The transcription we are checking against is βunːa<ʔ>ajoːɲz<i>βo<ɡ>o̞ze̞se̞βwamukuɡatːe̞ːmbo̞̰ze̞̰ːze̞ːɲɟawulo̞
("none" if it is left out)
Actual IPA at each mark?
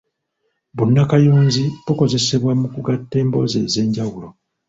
k, i, k

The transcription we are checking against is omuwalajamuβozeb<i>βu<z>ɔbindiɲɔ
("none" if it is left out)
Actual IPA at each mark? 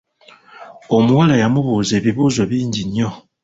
i, z

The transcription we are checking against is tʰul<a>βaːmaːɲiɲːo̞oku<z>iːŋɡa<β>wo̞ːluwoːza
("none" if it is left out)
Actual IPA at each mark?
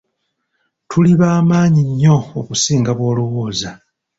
i, s, β

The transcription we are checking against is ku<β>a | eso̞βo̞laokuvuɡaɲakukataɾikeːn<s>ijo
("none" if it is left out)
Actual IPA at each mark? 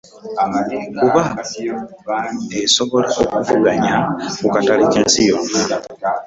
β, s

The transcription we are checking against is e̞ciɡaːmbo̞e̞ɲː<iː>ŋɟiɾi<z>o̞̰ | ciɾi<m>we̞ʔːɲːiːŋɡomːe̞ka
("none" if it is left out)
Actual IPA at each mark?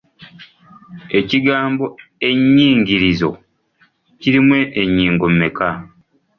iː, z, m

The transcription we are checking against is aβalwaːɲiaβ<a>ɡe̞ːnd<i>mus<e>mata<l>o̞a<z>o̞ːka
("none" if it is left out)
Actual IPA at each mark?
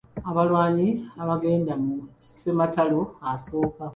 a, a, e, l, s

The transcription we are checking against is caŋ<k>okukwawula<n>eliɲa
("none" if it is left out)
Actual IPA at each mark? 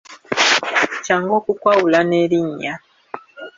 ɡ, n

